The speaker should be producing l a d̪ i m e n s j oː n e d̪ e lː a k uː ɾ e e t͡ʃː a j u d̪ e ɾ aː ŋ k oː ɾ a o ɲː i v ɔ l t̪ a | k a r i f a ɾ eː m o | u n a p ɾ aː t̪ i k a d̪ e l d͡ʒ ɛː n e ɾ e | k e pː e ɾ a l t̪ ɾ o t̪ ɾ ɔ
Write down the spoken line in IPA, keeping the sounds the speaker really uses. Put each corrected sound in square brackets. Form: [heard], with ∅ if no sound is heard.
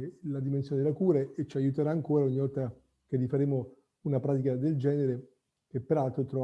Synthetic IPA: l a d̪ i m e n s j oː n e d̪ e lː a k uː ɾ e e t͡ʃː a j u [t̪] e ɾ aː ŋ k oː ɾ a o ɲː i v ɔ l t̪ a | k [e] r i f a ɾ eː m o | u n a p ɾ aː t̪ i k a d̪ e l d͡ʒ ɛː n e ɾ e | k e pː e ɾ a l t̪ ɾ o t̪ ɾ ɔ